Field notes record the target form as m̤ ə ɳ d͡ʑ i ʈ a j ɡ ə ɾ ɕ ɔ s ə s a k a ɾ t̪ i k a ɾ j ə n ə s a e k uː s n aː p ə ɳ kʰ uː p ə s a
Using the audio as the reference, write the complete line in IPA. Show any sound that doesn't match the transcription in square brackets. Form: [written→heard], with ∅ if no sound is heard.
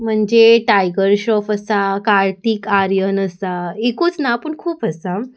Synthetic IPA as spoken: m̤ ə ɳ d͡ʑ [i→e] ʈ a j ɡ ə ɾ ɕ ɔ [s→f] ə s a k a ɾ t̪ i k a ɾ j ə n ə s a e k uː [s→t͡s] n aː p ə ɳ kʰ uː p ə s a